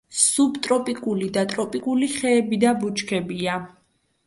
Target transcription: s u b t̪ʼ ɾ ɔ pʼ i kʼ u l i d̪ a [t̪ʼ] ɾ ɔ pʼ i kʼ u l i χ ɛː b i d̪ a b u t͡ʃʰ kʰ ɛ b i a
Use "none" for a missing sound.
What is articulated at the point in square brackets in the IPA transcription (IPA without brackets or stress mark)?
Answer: t̪ʼ